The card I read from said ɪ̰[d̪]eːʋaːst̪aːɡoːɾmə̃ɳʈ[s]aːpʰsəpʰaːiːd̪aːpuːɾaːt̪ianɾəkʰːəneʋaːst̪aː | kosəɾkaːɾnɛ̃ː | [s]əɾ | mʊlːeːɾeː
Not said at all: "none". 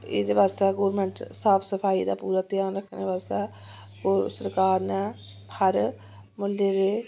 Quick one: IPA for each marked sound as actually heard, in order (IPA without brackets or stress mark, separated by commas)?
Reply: d̪, s, h